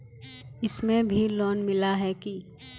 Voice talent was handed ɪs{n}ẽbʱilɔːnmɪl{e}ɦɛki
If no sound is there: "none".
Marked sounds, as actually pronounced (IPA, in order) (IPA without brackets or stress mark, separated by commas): m, a